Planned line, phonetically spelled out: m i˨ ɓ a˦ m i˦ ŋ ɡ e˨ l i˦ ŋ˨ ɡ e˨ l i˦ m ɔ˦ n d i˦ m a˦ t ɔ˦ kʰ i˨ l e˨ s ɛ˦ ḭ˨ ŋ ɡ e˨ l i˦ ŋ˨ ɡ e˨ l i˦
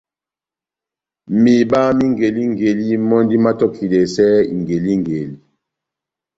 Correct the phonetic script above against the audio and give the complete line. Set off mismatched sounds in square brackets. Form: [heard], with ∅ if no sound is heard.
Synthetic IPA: m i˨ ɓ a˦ m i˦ ŋ ɡ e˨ l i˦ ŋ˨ ɡ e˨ l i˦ m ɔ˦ n d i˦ m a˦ t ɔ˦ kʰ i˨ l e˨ s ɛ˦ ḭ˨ ŋ ɡ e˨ l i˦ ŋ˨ ɡ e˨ l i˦